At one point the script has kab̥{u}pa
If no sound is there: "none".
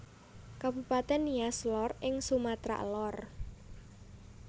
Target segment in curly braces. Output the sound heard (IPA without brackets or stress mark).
u